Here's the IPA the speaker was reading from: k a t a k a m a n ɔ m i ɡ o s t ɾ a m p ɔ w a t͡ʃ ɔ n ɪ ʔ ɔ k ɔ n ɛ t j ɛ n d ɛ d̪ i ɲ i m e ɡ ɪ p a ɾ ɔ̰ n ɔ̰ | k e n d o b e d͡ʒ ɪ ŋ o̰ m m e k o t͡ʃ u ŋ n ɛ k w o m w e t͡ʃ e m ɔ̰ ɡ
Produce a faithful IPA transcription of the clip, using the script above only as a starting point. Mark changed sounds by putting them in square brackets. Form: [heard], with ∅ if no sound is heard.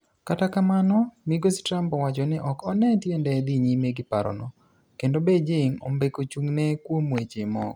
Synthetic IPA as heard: k a t a k a m a n ɔ m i ɡ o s t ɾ a m p ɔ w a t͡ʃ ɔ n ɪ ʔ ɔ k ɔ n ɛ t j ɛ n d ɛ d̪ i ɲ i m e ɡ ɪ p a ɾ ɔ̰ n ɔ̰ | k e n d o b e d͡ʒ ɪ ŋ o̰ m [b] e k o t͡ʃ u ŋ n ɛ k w o m w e t͡ʃ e m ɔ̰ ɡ

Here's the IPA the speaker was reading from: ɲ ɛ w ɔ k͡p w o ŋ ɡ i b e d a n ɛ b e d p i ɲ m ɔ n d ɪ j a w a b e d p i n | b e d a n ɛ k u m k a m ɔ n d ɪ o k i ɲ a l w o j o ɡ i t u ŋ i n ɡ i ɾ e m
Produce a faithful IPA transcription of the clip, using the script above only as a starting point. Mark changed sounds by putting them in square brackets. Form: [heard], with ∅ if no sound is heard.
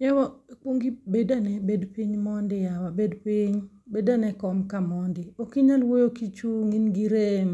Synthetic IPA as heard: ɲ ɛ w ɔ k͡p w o ŋ ɡ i b e d a n ɛ b e d p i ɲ m ɔ n d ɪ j a w a b e d p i [ɲ] | b e d a n ɛ k [ɔ] m k a m ɔ n d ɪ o k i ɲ a l w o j o [k] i [t͡ʃ] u ŋ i n ɡ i ɾ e m

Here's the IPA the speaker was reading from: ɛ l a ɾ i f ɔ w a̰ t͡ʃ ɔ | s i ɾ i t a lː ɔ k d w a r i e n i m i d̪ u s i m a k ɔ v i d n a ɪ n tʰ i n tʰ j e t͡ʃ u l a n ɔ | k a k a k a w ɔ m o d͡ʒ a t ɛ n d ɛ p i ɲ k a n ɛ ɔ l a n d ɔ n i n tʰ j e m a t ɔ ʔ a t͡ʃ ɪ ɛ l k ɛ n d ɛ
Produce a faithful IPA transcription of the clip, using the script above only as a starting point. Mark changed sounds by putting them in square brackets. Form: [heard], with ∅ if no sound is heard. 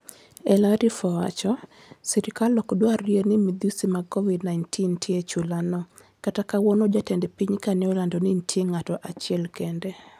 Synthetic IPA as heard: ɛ l a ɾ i f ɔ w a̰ t͡ʃ ɔ | s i ɾ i [k] a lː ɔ k d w a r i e n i m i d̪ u s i m a k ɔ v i d n a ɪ n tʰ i n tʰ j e t͡ʃ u l a n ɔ | k a [t] a k a w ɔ [n] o d͡ʒ a t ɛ n d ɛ p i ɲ k a n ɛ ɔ l a n d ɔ n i n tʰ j e [ŋ] a t ɔ ʔ a t͡ʃ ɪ ɛ l k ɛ n d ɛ

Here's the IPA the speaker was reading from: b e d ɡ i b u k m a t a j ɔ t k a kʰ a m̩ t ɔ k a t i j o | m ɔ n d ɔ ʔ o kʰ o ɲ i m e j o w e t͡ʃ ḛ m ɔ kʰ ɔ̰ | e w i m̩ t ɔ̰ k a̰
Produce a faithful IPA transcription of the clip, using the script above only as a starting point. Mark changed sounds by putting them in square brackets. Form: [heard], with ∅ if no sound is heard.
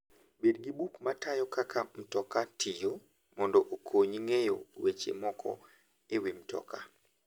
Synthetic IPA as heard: b e d ɡ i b u k m a t a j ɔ [∅] k a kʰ a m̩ t ɔ k a t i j o | m ɔ n d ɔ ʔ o kʰ o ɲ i [ŋ] e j o w e t͡ʃ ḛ m ɔ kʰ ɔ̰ | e w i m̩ t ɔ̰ k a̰

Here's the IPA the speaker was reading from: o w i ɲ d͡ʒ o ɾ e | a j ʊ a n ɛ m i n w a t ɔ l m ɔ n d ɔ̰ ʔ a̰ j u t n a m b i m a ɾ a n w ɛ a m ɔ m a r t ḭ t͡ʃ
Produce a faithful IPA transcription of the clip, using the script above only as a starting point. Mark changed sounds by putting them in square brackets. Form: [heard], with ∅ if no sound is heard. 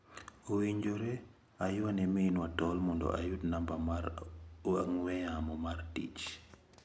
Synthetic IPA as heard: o w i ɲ d͡ʒ o ɾ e | a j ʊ a n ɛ m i n w a t ɔ l m ɔ n d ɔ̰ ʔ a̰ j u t n a m b [a] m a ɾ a [ŋ] w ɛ a m ɔ m a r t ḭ t͡ʃ

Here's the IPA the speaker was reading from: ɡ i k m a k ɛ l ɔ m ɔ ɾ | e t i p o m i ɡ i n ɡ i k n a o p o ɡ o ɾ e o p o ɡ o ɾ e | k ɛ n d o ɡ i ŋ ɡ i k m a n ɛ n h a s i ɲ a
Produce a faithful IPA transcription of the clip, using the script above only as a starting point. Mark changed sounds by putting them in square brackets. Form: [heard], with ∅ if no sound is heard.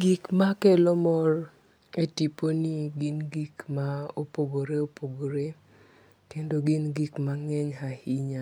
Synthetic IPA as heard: ɡ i k m a k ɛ l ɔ m ɔ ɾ | e t i p o [n] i ɡ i n ɡ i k [m] a o p o ɡ o ɾ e o p o ɡ o ɾ e | [t] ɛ n d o ɡ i [n] ɡ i k m a [ŋ] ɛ [ɲ] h a [h] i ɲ a

